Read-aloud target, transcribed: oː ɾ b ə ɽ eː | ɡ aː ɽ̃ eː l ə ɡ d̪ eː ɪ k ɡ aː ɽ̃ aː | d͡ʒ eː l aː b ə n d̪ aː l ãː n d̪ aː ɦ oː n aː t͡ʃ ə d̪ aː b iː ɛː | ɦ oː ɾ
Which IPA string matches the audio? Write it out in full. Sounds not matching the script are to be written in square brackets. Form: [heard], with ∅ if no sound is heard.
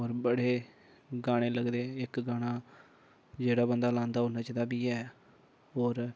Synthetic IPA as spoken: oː ɾ b ə ɽ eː | ɡ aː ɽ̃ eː l ə ɡ d̪ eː ɪ k ɡ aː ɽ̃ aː | d͡ʒ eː [ɽ] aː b ə n d̪ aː l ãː n d̪ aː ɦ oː n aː t͡ʃ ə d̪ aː b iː ɛː | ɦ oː ɾ